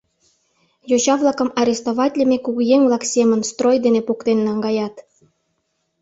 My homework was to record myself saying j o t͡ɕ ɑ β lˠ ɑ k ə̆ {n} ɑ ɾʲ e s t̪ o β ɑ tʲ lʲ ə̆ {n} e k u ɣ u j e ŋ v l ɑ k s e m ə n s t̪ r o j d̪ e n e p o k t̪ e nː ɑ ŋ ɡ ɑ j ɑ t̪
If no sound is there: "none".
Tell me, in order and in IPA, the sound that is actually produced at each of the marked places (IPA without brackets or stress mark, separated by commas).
m, m